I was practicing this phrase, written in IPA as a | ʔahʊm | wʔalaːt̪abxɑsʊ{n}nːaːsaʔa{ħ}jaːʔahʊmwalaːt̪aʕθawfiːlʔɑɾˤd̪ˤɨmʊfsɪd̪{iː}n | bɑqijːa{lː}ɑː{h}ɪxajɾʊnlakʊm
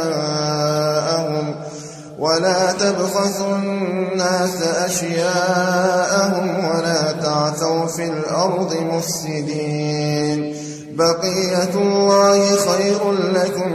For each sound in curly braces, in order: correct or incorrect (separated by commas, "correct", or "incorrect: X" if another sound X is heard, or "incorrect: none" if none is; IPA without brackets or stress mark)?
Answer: correct, incorrect: ʃ, correct, correct, correct